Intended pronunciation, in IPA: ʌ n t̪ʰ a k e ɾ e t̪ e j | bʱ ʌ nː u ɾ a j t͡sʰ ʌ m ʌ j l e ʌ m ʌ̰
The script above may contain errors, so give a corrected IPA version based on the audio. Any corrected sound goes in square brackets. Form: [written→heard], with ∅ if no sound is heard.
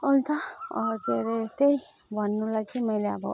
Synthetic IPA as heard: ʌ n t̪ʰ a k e ɾ e t̪ e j | bʱ ʌ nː u [ɾ→l] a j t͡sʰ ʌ m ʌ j l e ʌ [m→b] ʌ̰